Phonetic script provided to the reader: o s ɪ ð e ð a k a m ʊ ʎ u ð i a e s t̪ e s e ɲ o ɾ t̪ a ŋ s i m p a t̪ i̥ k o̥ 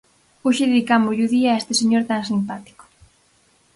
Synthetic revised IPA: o ʃ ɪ ð e ð i k a m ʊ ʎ u ð i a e s t̪ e s e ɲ o ɾ t̪ a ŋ s i m p a t̪ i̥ k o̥